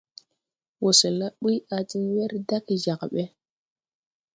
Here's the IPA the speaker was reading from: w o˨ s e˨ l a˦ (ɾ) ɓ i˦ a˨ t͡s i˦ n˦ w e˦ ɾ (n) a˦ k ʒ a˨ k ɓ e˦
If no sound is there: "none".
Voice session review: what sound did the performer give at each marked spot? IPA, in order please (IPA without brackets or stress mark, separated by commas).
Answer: none, d